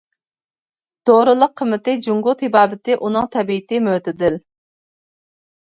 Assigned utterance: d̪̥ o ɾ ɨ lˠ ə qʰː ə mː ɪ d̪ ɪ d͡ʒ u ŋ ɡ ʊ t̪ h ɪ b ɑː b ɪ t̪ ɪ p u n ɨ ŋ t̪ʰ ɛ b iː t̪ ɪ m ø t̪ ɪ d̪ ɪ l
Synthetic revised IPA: d̪̥ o ɾ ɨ lˠ ə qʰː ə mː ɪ t̪ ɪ d͡ʒ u ŋ ɡ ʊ t̪ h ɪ b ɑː b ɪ t̪ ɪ ʔ u n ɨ ŋ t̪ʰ ɛ b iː t̪ ɪ m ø t̪ ɪ d̪ ɪ l